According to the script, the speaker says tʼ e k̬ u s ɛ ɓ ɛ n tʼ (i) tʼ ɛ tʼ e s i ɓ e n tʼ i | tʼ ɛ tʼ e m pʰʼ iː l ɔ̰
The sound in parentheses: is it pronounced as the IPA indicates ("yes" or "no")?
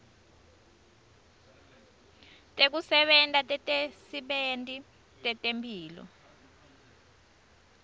no